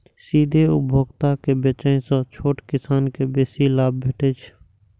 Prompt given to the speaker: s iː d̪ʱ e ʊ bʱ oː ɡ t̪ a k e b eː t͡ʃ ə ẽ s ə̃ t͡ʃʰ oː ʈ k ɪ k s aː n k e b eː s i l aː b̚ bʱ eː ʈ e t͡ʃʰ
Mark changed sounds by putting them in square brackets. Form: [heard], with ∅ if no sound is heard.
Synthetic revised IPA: s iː d̪ʱ e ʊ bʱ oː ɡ t̪ a k e b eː t͡ʃ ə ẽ s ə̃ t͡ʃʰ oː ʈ k ɪ [∅] s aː n k e b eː s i l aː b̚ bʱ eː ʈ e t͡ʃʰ

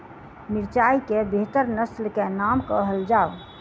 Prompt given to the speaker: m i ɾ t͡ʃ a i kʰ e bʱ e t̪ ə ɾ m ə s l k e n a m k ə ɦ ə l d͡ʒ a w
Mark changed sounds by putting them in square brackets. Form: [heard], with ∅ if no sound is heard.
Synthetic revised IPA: m i ɾ t͡ʃ a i [k] e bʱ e t̪ ə ɾ [n] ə s l k e n a m k ə ɦ ə l d͡ʒ a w

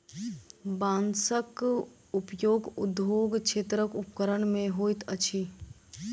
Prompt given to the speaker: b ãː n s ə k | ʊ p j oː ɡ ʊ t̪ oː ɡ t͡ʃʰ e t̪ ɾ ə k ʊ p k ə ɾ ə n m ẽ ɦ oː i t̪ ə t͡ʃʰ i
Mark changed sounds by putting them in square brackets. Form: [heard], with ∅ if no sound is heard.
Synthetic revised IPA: b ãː n s ə k | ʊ p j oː ɡ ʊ [d̪] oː ɡ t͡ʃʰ e t̪ ɾ ə k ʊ p k ə ɾ ə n m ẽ ɦ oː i t̪ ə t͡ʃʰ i

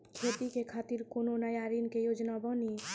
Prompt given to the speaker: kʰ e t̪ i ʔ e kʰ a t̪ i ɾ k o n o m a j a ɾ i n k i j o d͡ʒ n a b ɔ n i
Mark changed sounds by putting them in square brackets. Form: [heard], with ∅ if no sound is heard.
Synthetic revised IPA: kʰ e t̪ i [k] e kʰ a t̪ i ɾ k o n o [n] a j a ɾ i n k [e] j o d͡ʒ n a b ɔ n i

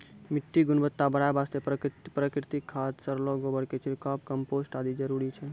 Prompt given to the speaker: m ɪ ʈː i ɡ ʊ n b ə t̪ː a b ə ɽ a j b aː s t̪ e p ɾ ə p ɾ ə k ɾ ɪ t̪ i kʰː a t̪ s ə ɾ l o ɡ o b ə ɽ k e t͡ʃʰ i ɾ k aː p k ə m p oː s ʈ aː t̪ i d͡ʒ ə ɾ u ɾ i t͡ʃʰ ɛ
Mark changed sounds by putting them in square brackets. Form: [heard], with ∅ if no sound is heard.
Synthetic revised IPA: m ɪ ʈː i ɡ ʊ n b ə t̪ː a b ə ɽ a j b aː s t̪ e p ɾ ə p ɾ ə k ɾ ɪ t̪ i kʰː a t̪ s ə ɾ l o ɡ o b ə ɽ k e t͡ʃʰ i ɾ k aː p k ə m p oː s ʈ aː [d̪] i d͡ʒ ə ɾ u ɾ i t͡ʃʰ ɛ

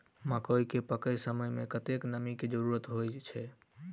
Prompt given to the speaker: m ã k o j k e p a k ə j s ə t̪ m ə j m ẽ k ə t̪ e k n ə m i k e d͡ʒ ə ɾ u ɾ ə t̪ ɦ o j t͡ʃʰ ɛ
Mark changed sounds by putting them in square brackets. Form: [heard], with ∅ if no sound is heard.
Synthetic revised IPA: m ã k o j k e p [ə] k ə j s ə [∅] m ə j m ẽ k ə t̪ e k n ə m i k e d͡ʒ ə ɾ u ɾ ə t̪ ɦ o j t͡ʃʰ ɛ

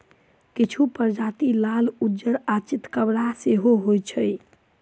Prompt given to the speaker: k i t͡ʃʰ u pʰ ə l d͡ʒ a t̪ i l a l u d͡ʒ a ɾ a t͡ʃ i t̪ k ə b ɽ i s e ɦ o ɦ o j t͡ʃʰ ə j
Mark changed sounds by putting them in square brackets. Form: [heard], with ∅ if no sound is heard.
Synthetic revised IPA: k i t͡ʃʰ u [p] ə [ɾ] d͡ʒ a t̪ i l a l u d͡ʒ [ə] ɾ a t͡ʃ i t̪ k ə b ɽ [a] s e ɦ o ɦ o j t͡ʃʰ ə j

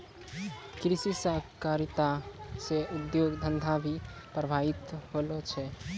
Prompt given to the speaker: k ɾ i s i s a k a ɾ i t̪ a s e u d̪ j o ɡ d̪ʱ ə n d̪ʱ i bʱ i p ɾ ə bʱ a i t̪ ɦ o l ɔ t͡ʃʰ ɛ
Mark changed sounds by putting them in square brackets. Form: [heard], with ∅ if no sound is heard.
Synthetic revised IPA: k ɾ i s i s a k a ɾ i t̪ a s e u d̪ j o ɡ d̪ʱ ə n d̪ʱ [a] bʱ i p ɾ ə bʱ a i t̪ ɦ o l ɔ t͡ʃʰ ɛ

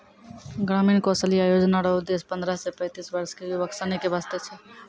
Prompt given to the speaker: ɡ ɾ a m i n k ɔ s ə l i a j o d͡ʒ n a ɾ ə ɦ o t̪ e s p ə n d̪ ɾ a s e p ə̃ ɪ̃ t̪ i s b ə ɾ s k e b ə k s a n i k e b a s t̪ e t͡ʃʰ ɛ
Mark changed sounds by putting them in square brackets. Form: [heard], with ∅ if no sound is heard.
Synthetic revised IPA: ɡ ɾ a m i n k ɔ s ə l i a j o d͡ʒ n a ɾ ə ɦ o [d̪] e s p ə n d̪ ɾ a s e p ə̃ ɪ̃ t̪ i s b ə ɾ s k e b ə k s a n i k e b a s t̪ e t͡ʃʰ ɛ

